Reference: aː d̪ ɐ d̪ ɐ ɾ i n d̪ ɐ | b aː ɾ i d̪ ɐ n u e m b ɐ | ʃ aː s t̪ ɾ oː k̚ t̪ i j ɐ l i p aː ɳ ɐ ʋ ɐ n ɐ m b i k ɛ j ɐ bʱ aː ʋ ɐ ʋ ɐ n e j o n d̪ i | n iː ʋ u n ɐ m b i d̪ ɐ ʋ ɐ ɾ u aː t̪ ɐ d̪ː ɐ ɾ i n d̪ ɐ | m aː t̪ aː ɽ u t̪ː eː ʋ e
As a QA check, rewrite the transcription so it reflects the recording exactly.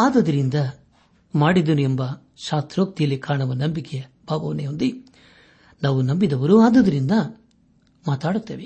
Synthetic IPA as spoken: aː d̪ ɐ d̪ ɐ ɾ i n d̪ ɐ | m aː ɽ i d̪ ɐ n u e m b ɐ | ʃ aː s t̪ ɾ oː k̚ t̪ i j ɐ l i k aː ɳ ɐ ʋ ɐ n ɐ m b i k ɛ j ɐ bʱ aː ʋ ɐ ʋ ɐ n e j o n d̪ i | n aː ʋ u n ɐ m b i d̪ ɐ ʋ ɐ ɾ u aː d̪ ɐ d̪ ɐ ɾ i n d̪ ɐ | m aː t̪ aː ɽ u t̪ː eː ʋ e